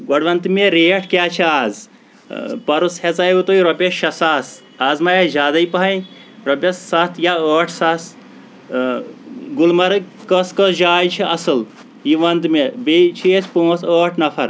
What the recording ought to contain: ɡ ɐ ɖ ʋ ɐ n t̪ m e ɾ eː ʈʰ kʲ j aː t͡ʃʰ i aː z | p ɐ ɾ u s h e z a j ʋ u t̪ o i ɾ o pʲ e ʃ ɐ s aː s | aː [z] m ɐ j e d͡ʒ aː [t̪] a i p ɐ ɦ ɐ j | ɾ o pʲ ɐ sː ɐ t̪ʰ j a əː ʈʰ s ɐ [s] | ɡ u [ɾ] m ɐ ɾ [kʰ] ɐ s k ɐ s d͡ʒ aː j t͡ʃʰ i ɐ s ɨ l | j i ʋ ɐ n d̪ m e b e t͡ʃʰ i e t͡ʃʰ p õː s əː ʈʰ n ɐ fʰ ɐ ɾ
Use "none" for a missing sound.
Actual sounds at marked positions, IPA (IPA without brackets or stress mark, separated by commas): z, d̪, s, l, k